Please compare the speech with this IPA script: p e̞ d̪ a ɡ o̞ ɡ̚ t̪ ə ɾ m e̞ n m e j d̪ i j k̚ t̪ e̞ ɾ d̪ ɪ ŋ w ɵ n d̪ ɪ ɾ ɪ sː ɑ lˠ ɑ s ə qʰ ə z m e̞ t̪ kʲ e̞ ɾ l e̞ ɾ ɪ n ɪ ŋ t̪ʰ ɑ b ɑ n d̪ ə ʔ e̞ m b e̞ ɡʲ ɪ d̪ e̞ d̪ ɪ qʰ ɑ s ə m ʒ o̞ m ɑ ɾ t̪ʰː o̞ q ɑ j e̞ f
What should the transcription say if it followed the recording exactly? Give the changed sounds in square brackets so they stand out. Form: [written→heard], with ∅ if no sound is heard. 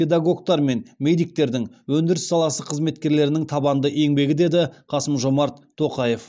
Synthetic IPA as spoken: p e̞ d̪ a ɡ o̞ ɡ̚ t̪ [ə→ɑ] ɾ m e̞ n m e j d̪ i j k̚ t̪ e̞ ɾ d̪ ɪ ŋ w ɵ n d̪ ɪ ɾ ɪ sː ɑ lˠ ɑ s ə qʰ ə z m e̞ t̪ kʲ e̞ ɾ l e̞ ɾ ɪ n ɪ ŋ t̪ʰ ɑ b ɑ n d̪ ə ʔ e̞ [m→ŋ] b e̞ ɡʲ ɪ d̪ e̞ d̪ ɪ qʰ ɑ s ə m ʒ o̞ m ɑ ɾ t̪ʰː o̞ q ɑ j e̞ f